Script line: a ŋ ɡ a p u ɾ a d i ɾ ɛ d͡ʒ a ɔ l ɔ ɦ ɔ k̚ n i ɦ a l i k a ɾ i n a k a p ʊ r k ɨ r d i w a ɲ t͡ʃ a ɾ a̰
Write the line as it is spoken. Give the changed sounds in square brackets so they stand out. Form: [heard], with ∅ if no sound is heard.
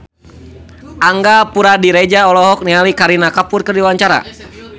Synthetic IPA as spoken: a ŋ ɡ a p u ɾ a d i ɾ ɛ d͡ʒ a ɔ l ɔ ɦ ɔ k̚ n i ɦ a l i k a ɾ i n a k a p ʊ r k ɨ r d i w a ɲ t͡ʃ a ɾ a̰